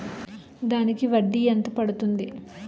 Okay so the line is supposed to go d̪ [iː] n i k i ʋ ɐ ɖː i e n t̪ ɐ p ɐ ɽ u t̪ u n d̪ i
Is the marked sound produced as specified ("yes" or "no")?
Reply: no